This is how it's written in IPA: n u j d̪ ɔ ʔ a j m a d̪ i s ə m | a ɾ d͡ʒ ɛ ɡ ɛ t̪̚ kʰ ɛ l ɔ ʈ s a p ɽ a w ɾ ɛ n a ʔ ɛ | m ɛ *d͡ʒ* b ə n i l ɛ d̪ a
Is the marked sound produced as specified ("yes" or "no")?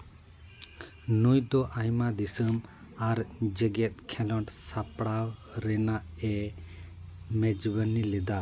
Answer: yes